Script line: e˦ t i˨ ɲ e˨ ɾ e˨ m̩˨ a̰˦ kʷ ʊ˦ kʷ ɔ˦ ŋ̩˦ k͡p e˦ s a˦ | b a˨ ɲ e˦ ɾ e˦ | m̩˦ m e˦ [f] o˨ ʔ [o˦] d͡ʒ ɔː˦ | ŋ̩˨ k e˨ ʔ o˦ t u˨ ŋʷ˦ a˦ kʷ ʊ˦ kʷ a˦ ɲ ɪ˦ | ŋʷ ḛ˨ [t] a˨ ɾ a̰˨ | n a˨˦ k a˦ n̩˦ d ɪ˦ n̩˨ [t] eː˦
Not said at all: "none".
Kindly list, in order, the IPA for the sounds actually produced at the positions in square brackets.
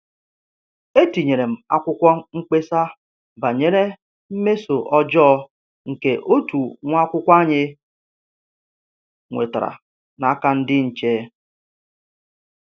s, ɔ˦, t, t͡ʃ

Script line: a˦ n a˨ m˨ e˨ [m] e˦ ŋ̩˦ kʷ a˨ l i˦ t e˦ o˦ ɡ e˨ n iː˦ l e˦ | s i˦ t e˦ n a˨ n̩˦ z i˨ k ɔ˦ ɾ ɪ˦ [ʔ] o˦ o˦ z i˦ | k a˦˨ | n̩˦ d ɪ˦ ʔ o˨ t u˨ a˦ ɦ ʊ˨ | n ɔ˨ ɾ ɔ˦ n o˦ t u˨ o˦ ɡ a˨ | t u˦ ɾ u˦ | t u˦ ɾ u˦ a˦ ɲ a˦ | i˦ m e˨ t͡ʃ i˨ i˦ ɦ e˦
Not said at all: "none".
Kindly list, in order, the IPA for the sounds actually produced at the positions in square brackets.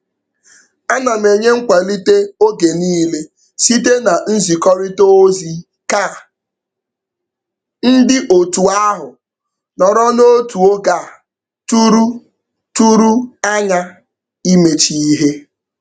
ɲ, t

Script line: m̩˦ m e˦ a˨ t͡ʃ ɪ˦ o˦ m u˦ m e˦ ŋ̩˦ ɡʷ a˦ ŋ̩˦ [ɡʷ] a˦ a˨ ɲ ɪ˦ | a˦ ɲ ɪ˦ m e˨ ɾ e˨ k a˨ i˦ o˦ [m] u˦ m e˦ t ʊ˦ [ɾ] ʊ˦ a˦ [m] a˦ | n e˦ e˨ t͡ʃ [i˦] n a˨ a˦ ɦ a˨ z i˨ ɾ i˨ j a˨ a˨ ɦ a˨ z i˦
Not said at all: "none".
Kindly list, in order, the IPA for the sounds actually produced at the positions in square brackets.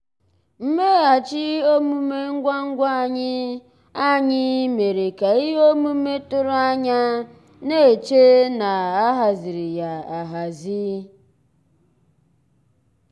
ɡʷ, m, ɾ, ɲ, e˦

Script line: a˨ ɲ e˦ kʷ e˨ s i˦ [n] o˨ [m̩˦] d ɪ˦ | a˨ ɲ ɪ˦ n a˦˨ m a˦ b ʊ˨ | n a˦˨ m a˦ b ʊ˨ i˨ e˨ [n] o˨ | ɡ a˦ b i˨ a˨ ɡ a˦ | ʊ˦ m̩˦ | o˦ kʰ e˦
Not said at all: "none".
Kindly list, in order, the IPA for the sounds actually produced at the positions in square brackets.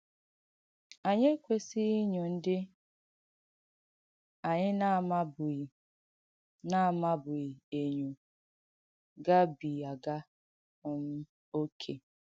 ɲ, n̩˦, ɲ

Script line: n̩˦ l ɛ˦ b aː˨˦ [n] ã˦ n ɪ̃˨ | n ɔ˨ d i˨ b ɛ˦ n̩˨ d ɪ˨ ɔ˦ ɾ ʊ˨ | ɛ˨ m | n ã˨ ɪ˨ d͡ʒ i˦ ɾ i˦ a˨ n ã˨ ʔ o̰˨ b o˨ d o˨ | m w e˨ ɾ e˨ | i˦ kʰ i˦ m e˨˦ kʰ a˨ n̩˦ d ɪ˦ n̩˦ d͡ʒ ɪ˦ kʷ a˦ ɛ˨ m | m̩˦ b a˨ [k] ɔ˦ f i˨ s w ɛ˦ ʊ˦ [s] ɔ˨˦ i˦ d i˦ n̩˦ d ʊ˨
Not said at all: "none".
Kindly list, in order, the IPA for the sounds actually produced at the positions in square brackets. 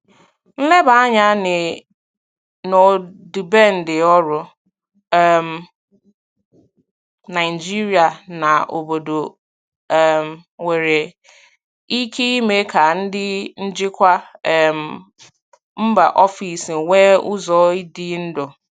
ɲ, ʔ, z

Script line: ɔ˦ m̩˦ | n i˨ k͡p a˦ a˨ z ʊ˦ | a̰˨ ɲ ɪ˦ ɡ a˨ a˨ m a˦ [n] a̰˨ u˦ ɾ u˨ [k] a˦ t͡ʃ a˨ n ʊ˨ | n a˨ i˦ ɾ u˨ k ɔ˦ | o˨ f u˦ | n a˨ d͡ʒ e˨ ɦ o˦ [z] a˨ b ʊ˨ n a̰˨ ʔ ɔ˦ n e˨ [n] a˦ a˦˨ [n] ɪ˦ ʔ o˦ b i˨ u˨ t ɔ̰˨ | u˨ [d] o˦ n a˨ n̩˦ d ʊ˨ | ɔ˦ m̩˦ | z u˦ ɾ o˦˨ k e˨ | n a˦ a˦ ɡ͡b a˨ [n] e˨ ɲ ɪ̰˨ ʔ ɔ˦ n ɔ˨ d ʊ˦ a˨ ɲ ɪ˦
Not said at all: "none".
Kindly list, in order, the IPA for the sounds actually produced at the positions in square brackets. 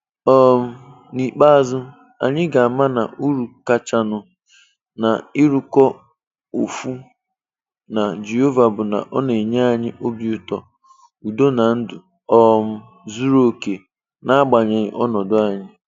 n, k, v, ɲ, ɲ, d, ɲ

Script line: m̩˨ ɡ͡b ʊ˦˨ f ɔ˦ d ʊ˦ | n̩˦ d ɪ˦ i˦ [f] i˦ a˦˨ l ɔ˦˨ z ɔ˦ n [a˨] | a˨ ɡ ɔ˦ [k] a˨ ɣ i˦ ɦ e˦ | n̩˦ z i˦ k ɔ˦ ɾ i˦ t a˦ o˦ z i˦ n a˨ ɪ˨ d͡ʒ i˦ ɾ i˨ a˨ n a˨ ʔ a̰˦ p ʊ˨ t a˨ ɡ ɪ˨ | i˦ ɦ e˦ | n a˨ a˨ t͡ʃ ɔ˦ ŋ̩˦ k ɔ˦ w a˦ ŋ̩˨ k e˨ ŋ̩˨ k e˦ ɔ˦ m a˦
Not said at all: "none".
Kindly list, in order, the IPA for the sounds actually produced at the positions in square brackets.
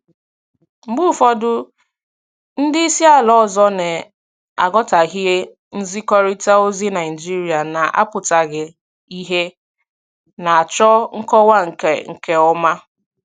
s, e˨, t

